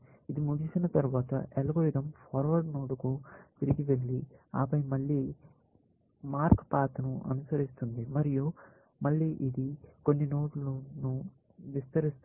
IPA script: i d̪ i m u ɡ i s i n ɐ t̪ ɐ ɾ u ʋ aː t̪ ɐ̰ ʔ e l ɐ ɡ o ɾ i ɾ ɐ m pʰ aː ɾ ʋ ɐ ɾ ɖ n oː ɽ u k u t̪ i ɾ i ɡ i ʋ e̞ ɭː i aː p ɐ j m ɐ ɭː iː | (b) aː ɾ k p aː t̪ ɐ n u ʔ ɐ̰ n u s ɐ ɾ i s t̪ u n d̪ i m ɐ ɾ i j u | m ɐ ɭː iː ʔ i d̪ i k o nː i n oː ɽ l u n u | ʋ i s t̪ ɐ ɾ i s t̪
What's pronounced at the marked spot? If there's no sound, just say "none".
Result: m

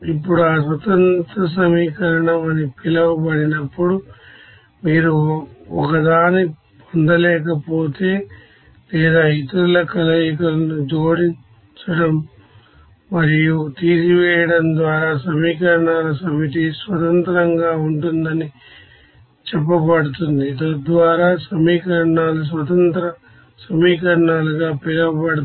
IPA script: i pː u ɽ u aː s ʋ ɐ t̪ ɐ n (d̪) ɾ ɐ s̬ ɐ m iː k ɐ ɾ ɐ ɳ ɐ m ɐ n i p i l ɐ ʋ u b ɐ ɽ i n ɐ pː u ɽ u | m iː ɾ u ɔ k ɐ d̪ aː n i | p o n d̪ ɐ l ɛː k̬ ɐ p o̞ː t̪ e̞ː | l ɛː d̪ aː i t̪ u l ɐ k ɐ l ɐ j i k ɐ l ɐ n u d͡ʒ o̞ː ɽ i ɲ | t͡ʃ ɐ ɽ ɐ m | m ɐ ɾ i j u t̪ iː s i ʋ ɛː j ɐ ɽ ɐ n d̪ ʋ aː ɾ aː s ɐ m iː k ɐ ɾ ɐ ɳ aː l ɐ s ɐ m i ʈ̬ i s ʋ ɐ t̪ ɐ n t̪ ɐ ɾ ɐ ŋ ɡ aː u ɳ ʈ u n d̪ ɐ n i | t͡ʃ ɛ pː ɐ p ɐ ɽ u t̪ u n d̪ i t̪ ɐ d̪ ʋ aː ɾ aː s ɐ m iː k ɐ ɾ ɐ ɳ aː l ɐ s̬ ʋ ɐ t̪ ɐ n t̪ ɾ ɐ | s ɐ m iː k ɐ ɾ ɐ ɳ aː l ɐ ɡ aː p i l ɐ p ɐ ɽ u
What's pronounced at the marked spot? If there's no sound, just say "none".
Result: t̪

